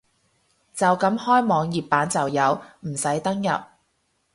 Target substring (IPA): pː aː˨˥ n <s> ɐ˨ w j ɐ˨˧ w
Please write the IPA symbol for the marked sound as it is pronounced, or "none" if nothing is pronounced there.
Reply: t͡s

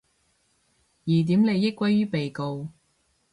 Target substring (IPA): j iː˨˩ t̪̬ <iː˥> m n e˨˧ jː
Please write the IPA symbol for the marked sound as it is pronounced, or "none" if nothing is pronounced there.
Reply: iː˨˥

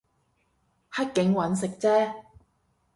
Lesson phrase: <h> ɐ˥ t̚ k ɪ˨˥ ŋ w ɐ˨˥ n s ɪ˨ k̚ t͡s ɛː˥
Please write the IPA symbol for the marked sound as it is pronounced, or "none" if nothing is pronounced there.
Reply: h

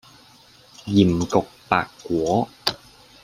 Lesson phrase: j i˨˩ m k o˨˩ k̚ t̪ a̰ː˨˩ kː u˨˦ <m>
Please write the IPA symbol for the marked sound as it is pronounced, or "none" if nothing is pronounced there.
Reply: none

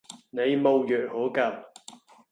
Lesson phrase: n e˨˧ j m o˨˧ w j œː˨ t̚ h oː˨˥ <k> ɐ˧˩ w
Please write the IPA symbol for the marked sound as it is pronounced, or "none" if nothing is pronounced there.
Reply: k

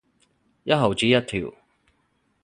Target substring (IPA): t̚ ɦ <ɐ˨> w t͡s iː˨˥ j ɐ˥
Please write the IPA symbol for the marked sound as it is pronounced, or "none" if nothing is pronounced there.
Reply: ɐ˨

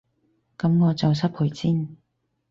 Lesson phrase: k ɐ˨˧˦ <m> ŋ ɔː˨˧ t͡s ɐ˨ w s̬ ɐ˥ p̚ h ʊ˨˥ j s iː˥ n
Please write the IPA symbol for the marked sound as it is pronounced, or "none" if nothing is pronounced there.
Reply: m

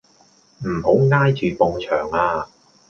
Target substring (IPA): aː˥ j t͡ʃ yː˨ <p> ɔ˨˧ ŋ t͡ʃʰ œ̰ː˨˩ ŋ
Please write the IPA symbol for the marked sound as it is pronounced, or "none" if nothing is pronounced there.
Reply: p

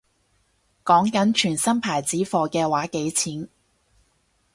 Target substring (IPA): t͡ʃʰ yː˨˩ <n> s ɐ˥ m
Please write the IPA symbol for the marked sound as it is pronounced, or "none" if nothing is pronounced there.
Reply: n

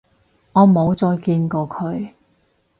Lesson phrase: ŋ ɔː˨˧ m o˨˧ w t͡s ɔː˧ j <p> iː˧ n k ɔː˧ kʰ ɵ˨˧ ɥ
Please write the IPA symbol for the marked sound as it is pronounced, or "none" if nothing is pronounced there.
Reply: k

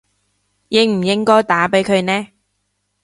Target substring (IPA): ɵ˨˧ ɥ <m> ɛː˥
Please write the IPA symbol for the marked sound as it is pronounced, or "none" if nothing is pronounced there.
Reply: n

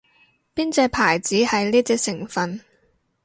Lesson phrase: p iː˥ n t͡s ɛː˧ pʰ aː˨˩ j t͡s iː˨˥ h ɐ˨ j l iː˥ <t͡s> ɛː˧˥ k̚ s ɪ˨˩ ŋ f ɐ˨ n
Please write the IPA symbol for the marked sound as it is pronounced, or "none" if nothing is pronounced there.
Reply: t͡s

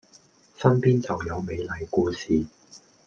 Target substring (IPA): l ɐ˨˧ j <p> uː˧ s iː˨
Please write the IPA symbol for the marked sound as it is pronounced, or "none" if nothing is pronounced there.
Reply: k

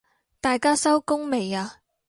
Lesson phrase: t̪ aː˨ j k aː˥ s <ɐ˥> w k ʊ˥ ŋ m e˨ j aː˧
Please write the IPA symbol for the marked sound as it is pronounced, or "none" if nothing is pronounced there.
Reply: ɐ˥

